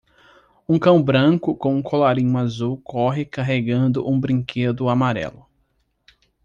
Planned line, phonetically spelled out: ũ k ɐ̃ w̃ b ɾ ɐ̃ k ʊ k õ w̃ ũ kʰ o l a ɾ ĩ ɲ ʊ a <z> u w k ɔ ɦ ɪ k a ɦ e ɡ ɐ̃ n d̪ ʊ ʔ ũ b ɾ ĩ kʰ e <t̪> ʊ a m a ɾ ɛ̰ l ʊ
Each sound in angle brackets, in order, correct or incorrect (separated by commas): correct, incorrect